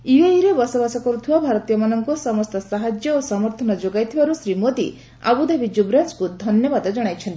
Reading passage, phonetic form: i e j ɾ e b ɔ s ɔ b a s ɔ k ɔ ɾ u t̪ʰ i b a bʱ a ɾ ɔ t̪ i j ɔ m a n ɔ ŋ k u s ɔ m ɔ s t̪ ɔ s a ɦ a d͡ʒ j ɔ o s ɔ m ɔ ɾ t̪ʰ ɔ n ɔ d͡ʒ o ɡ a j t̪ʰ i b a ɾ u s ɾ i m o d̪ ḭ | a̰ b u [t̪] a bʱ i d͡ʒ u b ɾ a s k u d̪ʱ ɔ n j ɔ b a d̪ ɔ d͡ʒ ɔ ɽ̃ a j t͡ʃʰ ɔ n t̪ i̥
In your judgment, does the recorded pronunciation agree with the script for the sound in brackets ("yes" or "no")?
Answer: no